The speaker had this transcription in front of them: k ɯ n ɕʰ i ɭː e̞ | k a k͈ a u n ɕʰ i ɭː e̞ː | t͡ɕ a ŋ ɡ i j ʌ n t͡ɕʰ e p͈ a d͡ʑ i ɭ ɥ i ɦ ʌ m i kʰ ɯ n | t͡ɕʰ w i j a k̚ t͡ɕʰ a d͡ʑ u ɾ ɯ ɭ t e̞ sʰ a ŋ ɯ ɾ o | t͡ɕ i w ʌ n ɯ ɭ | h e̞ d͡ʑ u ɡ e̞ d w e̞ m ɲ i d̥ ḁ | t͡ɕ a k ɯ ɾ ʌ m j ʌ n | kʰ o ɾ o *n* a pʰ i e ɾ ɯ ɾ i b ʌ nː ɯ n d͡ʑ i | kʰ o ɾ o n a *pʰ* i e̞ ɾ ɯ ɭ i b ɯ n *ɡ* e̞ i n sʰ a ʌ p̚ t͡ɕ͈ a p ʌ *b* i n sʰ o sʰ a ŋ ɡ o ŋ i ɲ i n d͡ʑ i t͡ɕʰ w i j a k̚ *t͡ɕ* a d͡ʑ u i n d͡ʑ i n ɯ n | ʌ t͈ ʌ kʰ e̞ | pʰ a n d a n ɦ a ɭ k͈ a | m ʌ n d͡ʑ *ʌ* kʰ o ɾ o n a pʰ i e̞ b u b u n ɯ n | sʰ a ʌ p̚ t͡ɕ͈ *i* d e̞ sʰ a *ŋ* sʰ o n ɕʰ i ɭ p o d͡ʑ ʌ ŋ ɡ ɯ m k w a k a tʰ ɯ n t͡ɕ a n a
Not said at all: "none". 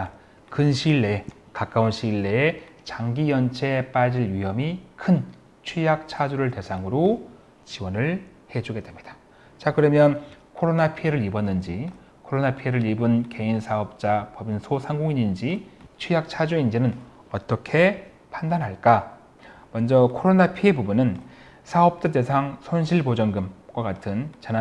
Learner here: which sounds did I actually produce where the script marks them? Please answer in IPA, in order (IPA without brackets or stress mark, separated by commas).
n, pʰ, k, b, t͡ɕʰ, ʌ, a, ŋ